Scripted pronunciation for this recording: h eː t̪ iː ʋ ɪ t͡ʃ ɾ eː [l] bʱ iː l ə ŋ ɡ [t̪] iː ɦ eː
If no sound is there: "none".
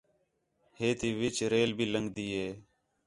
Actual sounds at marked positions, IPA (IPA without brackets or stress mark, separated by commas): l, d̪